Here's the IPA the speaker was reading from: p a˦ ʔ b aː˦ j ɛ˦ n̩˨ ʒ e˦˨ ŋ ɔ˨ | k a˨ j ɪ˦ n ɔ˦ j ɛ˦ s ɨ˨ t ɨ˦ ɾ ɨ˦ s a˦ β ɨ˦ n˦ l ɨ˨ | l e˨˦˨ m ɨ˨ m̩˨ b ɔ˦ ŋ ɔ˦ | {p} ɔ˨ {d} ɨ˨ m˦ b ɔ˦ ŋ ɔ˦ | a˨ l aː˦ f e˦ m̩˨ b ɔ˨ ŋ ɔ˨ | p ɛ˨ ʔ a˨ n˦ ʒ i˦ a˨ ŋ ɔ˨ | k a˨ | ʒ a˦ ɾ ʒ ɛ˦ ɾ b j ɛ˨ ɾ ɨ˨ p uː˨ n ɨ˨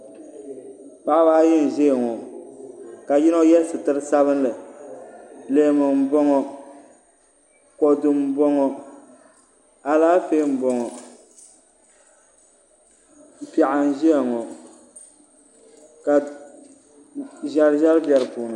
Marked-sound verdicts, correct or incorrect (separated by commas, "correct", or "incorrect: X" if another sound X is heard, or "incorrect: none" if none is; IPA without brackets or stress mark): incorrect: k, correct